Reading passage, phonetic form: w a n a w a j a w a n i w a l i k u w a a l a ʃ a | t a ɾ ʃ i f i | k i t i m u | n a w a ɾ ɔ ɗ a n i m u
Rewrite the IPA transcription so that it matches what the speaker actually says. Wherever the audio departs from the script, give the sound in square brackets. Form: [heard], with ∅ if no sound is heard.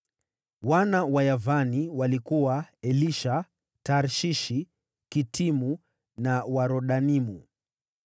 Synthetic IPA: w a n a w a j a [v] a n i w a l i k u w a [ɛ] l [i] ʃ a | t a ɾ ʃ i [ʃ] i | k i t i m u | n a w a ɾ ɔ ɗ a n i m u